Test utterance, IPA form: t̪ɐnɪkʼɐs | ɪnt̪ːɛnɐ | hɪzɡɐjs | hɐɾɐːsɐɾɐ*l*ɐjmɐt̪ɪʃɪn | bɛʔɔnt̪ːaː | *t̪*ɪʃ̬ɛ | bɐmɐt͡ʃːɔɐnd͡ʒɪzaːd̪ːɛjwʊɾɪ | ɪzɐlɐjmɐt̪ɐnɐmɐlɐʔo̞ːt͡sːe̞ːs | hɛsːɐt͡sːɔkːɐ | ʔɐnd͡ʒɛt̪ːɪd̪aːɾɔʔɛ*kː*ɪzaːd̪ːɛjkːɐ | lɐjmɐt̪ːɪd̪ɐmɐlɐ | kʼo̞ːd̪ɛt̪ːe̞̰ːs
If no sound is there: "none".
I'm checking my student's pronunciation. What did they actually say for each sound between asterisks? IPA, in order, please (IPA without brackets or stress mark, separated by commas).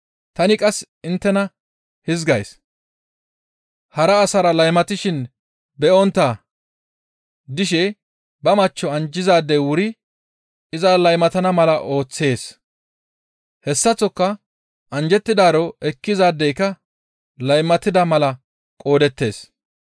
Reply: l, d̪, kː